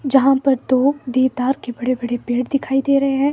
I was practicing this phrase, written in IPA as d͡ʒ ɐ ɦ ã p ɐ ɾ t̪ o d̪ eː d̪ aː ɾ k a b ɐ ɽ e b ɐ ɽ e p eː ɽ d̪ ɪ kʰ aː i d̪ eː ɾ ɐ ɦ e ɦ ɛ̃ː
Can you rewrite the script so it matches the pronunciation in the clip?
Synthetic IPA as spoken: d͡ʒ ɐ ɦ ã p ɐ ɾ t̪ o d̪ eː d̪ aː ɾ k e b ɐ ɽ e b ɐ ɽ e p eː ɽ d̪ ɪ kʰ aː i d̪ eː ɾ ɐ ɦ e ɦ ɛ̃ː